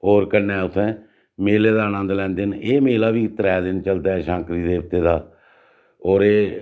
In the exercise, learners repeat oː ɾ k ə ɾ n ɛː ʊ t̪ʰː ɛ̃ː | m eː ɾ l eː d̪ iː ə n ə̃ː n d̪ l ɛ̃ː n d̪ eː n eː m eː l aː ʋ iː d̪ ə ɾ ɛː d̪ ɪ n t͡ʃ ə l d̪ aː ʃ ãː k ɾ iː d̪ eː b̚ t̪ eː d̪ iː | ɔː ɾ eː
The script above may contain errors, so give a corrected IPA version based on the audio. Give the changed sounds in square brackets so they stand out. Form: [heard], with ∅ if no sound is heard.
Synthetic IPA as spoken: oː ɾ k ə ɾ n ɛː ʊ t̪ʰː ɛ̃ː | m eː [∅] l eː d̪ [aː] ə n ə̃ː n d̪ l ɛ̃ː n d̪ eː n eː m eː l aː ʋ iː [t̪] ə ɾ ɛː d̪ ɪ n t͡ʃ ə l d̪ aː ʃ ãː k ɾ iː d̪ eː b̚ t̪ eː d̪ [aː] | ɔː ɾ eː